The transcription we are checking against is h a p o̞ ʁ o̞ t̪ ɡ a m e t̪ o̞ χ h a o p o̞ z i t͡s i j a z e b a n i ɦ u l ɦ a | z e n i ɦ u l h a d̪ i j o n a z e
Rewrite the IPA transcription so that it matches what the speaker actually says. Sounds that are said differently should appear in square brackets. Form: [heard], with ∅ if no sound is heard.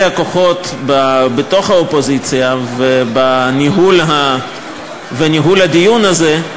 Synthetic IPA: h a [k] o̞ [χ] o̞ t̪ [b] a [b] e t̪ o̞ χ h a o p o̞ z i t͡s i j a [v] e b a n i ɦ u l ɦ a | [v] e n i ɦ u l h a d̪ i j [u] n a z e

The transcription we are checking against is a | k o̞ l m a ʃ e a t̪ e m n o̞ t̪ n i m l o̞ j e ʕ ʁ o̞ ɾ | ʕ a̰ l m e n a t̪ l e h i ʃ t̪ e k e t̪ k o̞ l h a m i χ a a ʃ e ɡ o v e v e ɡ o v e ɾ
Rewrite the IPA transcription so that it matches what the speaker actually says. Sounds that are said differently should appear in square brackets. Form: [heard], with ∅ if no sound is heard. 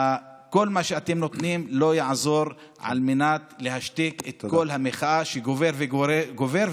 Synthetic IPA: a | k o̞ l m a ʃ e a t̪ e m n o̞ t̪ n i m l o̞ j [a] ʕ [z] o̞ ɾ | ʕ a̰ l m e n a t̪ l e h [a] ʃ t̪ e k e t̪ k o̞ l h a m [e] χ a a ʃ e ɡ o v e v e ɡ o v e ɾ

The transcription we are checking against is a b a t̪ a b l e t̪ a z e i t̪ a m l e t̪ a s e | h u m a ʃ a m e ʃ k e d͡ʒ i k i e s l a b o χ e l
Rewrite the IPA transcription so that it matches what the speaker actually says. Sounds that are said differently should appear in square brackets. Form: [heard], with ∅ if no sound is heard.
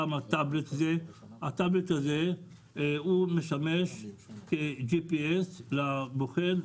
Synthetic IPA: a [m] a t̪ a b l e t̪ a z e [a] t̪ a [b] l e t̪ a [z] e | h u m [e] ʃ a m e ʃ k e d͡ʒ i [p] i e s l a b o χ e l

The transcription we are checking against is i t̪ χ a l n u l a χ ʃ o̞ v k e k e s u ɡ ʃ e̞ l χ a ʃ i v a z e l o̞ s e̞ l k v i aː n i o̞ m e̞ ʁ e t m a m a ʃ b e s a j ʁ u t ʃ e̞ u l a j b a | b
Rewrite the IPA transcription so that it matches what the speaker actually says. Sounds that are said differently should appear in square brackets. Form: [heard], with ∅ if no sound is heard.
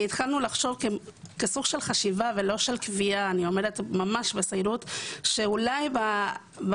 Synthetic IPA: i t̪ χ a l n u l a χ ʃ o̞ v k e k e s u ɡ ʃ e̞ l χ a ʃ i v a [v] e l o̞ [ʃ] e̞ l k v i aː n i o̞ m e̞ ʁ e t m a m a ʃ b e s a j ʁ u t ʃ e̞ u l a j b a | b

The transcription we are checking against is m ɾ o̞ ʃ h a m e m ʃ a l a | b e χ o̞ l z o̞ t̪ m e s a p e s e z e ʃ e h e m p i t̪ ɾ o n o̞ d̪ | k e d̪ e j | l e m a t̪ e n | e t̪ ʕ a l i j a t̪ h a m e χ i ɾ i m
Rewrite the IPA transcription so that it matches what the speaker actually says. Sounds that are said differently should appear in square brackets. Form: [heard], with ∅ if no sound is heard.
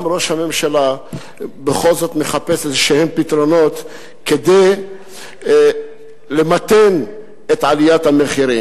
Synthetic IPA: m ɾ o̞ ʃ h a m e m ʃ a l a | b e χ o̞ l z o̞ t̪ m e [χ] a p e s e z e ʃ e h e m p i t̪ ɾ o n o̞ [t̪] | k e d̪ e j | l e m a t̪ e n | e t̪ ʕ a l i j a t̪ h a m e χ i ɾ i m

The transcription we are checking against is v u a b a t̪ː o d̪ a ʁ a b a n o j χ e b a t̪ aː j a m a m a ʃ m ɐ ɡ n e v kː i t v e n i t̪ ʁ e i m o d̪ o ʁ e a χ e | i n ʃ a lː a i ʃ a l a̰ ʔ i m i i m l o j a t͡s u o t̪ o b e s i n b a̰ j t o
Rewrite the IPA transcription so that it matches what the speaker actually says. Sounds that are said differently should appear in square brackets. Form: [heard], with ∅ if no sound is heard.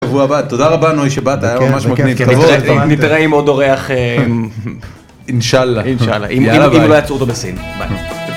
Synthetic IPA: v u a b a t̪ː o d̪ a ʁ a b a n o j [ʃ] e b a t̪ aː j a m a m a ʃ m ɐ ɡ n [i] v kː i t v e n i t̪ ʁ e i m o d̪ o ʁ e a χ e | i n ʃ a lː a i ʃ a l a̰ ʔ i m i i m l o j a t͡s u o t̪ o b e s i n b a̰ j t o

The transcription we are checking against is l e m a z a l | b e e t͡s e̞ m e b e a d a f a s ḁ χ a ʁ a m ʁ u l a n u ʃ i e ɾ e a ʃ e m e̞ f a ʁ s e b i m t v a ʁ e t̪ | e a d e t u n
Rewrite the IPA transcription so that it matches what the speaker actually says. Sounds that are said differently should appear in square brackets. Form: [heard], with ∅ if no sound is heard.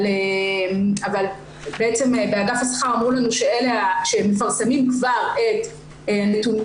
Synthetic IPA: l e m a [v] a l | b e e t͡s e̞ m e b e a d a f a s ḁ χ a ʁ a m ʁ u l a n u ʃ [e] e [l] e a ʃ e m e̞ f a ʁ s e [m] i m [k] v a ʁ e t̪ | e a [n] e t u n

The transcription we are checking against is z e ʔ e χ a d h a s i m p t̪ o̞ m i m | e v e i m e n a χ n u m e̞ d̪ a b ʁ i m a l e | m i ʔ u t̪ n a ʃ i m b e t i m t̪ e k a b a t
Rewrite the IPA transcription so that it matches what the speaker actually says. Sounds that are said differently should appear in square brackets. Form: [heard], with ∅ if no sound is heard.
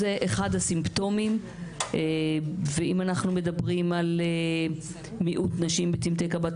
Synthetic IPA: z e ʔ e χ a d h a s i m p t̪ o̞ m i m | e v e i m [a] n a χ n u m e̞ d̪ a b ʁ i m a l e | m i ʔ u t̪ n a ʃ i m b e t i m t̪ e k a b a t

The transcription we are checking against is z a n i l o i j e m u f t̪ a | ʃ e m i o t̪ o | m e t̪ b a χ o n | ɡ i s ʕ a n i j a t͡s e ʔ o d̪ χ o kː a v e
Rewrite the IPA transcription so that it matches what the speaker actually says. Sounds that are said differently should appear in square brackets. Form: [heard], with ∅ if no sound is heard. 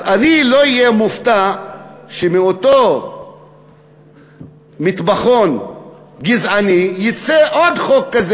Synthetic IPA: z a n i l o i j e m u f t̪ a | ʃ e m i o t̪ o | m [i] t̪ b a χ o n | ɡ i [z] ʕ a n i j [i] t͡s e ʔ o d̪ χ o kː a [z] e

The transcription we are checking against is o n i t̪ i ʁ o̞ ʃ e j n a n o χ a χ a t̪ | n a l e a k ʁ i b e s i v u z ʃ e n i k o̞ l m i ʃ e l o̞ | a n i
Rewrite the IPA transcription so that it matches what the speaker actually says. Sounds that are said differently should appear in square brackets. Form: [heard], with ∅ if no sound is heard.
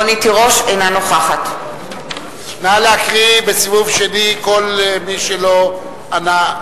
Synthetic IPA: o n i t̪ i ʁ o̞ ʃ e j n a n o χ a χ a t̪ | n a l e a k ʁ i b e s i v u [v] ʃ e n i k o̞ l m i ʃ e l o̞ | a n [a]

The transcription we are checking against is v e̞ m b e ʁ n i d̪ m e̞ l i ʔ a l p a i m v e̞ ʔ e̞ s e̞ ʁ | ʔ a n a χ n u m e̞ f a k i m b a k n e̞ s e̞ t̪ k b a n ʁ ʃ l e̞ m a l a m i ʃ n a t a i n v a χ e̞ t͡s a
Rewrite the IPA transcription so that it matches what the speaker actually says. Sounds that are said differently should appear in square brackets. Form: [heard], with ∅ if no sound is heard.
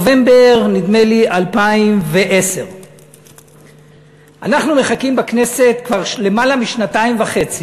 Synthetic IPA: v e̞ m b e ʁ n i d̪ m e̞ l i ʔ a l p a i m v e̞ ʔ e̞ s e̞ ʁ | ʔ a n a χ n u m e̞ [χ] a k i m b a k n e̞ s e̞ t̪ k [v] a [∅] ʁ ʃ l e̞ m a l a m i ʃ n a t a i [m] v a χ e̞ t͡s [i]

